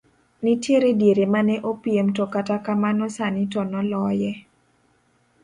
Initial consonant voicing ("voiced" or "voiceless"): voiced